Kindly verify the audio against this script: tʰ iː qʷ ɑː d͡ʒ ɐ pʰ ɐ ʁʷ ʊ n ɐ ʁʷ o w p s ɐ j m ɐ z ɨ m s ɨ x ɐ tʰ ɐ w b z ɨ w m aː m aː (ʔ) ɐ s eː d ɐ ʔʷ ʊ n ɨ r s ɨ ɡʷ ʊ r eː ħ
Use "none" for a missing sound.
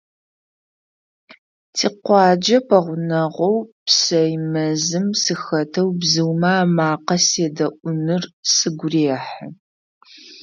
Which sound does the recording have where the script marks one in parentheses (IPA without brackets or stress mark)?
q